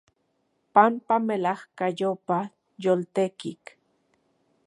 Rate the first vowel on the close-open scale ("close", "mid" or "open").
open